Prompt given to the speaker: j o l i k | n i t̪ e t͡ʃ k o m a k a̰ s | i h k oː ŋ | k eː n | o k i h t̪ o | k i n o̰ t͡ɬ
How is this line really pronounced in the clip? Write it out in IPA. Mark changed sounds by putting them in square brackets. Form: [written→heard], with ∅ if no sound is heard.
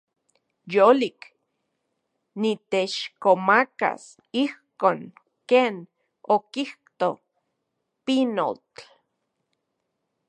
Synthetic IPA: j o l i k | n i t̪ e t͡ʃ k o m a k a̰ s | i h k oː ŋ | k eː n | o k i h t̪ o | [k→p] i n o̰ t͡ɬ